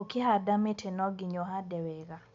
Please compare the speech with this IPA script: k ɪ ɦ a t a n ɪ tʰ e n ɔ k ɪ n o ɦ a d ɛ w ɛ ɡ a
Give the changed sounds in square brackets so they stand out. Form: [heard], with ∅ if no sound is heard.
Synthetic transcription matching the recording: k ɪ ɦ a [d] a [m] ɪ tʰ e n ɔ [ɡ] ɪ [ɲ] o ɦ a d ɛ w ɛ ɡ a